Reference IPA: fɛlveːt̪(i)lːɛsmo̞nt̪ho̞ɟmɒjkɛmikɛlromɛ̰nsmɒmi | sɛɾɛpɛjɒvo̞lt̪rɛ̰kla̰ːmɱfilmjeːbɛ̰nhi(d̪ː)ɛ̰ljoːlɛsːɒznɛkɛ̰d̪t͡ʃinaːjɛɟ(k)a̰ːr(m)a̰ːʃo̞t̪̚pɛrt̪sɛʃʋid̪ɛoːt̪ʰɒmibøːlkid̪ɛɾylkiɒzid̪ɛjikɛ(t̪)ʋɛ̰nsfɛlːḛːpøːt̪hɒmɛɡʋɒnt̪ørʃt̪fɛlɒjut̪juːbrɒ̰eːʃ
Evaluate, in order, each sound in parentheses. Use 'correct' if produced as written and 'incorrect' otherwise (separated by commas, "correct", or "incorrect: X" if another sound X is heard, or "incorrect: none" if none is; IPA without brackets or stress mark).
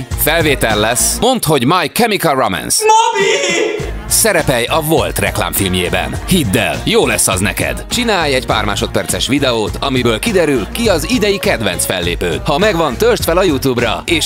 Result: incorrect: ɛ, correct, incorrect: p, correct, incorrect: d̪